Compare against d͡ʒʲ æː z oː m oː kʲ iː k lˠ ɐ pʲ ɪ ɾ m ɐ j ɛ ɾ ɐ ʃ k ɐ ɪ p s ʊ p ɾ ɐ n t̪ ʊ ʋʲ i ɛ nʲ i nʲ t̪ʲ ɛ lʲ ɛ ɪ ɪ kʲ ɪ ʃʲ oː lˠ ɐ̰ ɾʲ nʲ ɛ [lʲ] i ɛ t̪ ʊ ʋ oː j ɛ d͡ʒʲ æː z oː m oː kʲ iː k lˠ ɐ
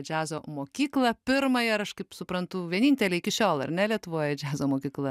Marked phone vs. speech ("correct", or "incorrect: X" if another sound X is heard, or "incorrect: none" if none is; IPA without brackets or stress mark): correct